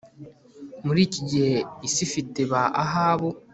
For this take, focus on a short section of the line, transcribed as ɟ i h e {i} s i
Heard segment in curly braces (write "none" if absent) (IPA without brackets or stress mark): i